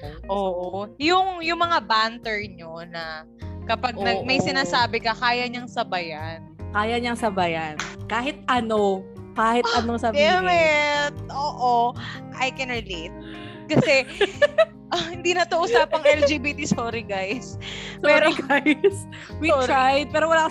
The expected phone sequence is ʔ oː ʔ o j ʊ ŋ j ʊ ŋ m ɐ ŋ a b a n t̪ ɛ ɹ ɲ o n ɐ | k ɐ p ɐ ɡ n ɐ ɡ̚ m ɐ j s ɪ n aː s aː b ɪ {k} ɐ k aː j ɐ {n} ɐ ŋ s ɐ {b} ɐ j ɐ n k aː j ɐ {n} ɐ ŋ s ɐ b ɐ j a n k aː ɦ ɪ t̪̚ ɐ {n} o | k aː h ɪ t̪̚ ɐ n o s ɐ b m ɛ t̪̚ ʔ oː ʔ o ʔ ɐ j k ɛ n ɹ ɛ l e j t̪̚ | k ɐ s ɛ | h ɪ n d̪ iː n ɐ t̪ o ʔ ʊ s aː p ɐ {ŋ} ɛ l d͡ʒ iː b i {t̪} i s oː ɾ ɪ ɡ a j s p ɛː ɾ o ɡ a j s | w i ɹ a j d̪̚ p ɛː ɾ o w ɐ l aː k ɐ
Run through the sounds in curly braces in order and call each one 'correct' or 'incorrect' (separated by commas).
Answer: correct, incorrect, correct, incorrect, correct, correct, correct